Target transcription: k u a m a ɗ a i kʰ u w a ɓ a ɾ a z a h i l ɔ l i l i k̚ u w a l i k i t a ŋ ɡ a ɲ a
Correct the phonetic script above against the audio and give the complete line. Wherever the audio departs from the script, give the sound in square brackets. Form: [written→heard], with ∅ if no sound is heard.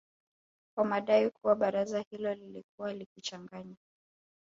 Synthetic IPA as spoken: k [u→w] a m a ɗ a i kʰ u w a ɓ a ɾ a z a h i l ɔ l i l i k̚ u w a l i k i [t→t͡ʃ] a ŋ ɡ a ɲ a